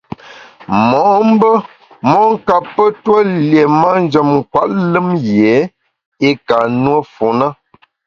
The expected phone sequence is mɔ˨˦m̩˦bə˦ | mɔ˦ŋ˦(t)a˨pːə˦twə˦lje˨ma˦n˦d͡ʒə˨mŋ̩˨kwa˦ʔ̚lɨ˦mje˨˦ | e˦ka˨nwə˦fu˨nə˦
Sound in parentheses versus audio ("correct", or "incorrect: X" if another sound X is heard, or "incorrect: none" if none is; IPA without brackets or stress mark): incorrect: k